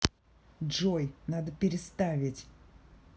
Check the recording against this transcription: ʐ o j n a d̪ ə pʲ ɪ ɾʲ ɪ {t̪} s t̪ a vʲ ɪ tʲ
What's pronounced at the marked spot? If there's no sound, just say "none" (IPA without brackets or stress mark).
none